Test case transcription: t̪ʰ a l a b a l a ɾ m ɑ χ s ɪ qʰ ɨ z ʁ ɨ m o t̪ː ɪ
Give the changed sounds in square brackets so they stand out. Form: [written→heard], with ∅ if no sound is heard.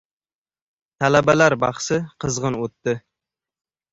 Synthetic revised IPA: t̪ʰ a l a b a l a ɾ [m→b] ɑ χ s ɪ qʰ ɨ z ʁ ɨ [m→n] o t̪ː ɪ